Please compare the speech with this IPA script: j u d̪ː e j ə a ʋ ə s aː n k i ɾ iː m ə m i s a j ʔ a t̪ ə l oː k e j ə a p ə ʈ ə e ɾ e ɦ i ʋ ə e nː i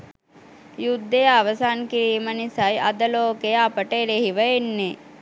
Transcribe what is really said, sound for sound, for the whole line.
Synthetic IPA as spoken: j u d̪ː e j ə a ʋ ə s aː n k i ɾ iː m ə n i s a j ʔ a d̪ ə l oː k e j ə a p ə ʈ ə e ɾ e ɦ i ʋ ə e nː e